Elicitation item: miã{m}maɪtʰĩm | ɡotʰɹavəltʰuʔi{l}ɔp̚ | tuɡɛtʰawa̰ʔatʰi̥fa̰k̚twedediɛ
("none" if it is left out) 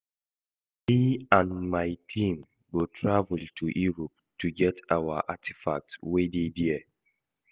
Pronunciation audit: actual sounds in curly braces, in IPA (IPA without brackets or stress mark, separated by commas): n, ɹ